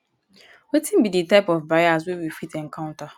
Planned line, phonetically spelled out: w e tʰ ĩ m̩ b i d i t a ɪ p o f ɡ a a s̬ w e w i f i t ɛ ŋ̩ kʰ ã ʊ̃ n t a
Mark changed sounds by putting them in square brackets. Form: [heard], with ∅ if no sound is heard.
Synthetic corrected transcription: w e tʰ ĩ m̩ b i d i t a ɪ p [ɔ] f [b] a a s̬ w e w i f i t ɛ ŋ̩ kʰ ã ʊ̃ n t a